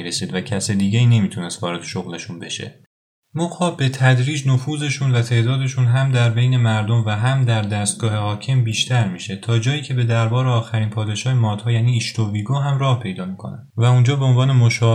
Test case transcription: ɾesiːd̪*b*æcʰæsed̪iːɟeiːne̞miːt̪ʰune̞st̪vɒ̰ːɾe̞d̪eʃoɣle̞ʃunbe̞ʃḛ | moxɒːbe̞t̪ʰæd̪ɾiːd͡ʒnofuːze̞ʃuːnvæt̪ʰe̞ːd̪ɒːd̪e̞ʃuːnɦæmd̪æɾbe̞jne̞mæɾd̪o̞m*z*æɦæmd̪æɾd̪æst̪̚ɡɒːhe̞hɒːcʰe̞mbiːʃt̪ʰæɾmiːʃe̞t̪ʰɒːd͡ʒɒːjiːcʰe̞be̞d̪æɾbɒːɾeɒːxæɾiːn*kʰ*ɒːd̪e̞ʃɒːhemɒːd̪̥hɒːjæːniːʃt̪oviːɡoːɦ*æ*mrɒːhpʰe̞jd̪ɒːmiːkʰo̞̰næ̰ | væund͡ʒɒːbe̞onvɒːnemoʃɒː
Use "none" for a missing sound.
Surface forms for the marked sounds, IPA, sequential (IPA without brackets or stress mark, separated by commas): v, v, pʰ, æ